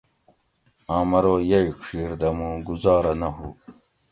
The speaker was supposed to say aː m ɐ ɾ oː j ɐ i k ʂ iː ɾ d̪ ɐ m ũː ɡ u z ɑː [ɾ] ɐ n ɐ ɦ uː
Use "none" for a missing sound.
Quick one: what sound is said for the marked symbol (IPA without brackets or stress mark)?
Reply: ɾ